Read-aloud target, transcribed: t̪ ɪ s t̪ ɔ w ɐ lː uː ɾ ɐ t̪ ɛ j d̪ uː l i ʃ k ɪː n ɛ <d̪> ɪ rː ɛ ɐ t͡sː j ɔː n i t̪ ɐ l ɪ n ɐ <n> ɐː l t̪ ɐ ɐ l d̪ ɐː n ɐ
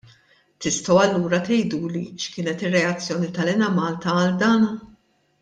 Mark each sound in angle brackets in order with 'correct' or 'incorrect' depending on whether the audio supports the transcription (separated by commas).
incorrect, incorrect